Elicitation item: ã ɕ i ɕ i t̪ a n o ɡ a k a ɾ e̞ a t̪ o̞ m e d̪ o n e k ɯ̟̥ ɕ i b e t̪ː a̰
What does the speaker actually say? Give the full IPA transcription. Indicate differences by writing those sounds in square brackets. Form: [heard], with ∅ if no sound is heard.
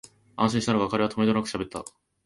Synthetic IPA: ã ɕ [ĩ] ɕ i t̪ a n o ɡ a k a ɾ e̞ a t̪ o̞ m e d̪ o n [a] k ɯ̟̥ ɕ [a] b e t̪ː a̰

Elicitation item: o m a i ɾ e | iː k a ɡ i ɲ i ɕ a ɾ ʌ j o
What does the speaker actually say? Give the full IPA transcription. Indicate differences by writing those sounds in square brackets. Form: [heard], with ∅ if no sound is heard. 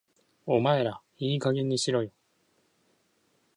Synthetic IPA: o m a [e] ɾ [a] | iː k a ɡ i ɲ i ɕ [i] ɾ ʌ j o

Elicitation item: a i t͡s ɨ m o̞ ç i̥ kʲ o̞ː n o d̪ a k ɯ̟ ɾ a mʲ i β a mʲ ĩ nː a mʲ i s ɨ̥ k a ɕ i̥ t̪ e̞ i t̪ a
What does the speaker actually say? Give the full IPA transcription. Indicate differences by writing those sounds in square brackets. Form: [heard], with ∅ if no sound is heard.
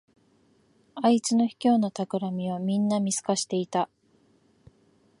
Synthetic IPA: a i t͡s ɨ [n] o̞ ç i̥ kʲ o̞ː n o [t̪] a k ɯ̟ ɾ a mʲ i β a mʲ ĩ nː a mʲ i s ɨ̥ k a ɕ i̥ t̪ e̞ i t̪ a

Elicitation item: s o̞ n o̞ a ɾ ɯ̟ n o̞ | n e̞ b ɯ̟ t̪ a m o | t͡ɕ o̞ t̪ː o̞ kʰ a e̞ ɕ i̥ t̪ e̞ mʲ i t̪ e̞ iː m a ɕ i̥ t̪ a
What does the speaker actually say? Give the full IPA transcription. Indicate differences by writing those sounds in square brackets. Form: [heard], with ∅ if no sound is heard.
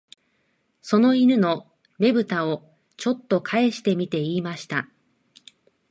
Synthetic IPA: s o̞ n o̞ [i] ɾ ɯ̟ n o̞ | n e̞ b ɯ̟ t̪ a [∅] o | t͡ɕ o̞ t̪ː o̞ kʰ a e̞ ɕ i̥ t̪ e̞ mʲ i t̪ e̞ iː m a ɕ i̥ t̪ a

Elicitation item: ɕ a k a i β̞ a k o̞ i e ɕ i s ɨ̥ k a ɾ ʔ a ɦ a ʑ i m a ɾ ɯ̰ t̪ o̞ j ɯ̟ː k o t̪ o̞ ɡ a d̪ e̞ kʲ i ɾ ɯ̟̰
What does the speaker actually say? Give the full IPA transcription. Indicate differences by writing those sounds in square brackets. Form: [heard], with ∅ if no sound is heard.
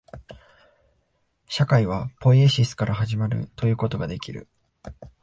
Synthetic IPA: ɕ a k a i β̞ a [p] o̞ i e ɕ i s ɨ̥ k a ɾ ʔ a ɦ a ʑ i m a ɾ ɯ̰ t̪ o̞ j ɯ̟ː k o t̪ o̞ ɡ a d̪ e̞ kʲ i ɾ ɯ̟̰

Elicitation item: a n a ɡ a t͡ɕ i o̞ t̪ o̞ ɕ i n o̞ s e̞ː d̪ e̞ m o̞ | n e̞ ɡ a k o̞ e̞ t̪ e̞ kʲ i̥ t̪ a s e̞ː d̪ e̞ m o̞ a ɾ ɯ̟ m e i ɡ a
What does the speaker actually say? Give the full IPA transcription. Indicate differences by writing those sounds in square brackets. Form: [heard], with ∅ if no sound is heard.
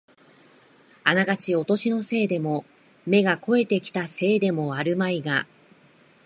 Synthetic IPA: a n a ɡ a t͡ɕ i o̞ t̪ o̞ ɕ i n o̞ s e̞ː d̪ e̞ m o̞ | [m] e̞ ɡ a k o̞ e̞ t̪ e̞ kʲ i̥ t̪ a s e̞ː d̪ e̞ m o̞ a ɾ ɯ̟ m [a] i ɡ a

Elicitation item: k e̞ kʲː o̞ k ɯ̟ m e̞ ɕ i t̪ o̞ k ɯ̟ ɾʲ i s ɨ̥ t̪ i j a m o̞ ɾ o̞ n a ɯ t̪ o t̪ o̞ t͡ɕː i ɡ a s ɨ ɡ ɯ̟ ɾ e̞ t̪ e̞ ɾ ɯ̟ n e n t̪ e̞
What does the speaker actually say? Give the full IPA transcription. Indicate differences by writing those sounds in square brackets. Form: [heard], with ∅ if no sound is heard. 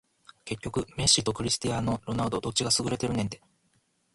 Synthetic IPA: k e̞ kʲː o̞ k ɯ̟ m e̞ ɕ i t̪ o̞ k ɯ̟ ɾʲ i s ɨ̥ t̪ i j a [n] o̞ ɾ o̞ n a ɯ [d̪] o [d̪] o̞ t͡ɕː i ɡ a s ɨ ɡ ɯ̟ ɾ e̞ t̪ e̞ ɾ ɯ̟ n e n t̪ e̞

